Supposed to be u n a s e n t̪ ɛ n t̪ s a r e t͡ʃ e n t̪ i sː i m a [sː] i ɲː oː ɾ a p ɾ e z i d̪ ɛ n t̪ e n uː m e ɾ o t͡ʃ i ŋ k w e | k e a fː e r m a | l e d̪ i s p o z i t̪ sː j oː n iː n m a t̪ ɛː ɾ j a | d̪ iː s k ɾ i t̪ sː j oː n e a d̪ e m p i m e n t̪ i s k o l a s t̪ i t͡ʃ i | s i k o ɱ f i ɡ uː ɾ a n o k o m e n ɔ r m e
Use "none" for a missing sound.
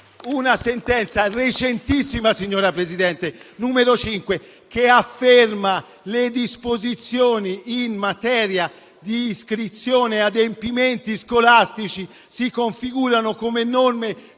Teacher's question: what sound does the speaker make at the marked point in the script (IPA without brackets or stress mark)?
s